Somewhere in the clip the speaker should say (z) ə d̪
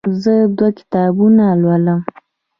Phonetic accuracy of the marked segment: correct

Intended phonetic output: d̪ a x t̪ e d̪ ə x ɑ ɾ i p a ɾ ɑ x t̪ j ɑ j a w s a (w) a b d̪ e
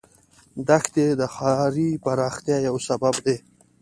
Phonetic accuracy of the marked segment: incorrect: b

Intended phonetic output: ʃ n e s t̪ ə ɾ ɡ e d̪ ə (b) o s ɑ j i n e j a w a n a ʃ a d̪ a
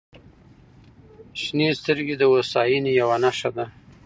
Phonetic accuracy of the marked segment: incorrect: w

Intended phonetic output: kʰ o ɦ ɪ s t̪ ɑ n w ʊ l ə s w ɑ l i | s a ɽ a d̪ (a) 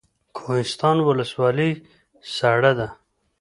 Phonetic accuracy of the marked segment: correct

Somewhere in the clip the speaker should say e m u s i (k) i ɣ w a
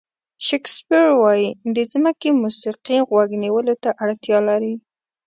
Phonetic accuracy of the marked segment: incorrect: q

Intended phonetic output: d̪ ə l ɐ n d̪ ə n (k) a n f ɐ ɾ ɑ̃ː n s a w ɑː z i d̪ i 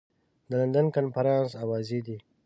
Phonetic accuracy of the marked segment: correct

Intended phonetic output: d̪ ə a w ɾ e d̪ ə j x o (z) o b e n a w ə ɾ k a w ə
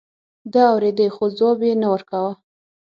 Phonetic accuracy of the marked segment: correct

